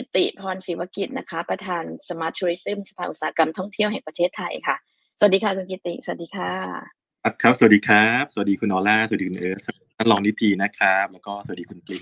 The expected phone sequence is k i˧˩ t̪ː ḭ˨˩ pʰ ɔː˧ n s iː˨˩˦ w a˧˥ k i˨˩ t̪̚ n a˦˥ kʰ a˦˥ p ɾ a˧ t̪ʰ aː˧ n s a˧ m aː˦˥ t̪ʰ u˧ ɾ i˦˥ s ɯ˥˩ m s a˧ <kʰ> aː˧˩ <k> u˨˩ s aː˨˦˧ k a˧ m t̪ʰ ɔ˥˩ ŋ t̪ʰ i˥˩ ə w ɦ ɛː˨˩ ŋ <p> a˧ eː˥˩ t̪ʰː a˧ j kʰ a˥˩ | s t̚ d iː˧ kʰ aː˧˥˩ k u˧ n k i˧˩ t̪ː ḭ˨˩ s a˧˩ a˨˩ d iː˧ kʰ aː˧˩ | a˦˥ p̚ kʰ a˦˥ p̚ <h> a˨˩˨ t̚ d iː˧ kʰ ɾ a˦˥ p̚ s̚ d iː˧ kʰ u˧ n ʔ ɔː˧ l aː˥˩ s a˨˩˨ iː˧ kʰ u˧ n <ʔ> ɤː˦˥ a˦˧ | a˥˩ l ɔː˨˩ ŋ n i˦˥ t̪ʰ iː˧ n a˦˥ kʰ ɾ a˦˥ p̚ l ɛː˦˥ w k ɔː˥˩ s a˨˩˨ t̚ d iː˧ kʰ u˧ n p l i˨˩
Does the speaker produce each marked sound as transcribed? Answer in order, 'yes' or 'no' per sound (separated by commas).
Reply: no, no, yes, no, yes